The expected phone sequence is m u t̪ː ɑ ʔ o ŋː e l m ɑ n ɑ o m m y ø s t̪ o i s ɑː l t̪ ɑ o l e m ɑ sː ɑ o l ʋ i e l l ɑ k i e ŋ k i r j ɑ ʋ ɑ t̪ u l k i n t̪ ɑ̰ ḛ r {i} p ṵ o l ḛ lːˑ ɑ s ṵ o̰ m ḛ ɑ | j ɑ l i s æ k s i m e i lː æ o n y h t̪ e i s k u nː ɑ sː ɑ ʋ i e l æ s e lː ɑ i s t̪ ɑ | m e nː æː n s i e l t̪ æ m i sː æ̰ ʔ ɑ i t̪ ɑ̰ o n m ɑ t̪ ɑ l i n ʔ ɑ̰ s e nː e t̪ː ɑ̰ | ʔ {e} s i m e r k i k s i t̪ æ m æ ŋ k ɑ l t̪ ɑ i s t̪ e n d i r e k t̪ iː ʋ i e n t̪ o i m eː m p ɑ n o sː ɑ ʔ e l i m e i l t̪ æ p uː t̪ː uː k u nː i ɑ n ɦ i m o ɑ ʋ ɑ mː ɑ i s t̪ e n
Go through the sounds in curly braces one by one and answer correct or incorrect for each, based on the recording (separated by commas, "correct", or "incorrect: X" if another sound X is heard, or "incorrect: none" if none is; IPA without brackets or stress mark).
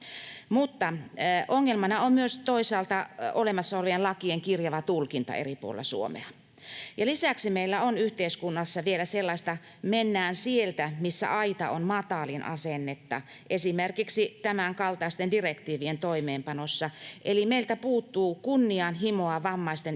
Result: correct, correct